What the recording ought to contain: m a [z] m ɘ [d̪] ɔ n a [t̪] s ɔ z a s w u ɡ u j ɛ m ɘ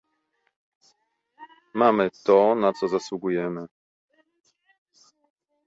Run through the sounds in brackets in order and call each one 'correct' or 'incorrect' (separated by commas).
incorrect, incorrect, correct